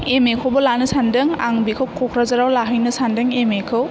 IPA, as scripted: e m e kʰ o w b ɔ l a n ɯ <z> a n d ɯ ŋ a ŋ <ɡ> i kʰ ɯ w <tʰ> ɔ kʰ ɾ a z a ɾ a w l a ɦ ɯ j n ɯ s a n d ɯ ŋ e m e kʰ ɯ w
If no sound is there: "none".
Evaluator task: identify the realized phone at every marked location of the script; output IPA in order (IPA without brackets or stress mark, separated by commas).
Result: s, b, kʰ